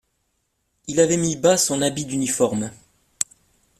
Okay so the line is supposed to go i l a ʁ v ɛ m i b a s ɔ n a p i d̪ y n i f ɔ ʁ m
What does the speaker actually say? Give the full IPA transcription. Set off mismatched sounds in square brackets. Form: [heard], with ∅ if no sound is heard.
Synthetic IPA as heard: i l a [∅] v ɛ m i b a s [ɔ̃] n a [b] i d̪ y n i f ɔ ʁ m